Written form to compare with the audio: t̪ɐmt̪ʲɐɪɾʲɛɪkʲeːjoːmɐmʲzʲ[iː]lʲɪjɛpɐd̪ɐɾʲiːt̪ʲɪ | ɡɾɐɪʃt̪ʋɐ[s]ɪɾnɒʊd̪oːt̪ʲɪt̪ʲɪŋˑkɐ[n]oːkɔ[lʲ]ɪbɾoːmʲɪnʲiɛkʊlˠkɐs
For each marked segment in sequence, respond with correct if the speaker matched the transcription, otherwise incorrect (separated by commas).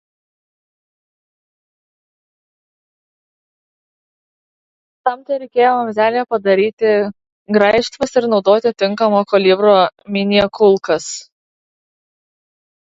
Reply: incorrect, correct, incorrect, correct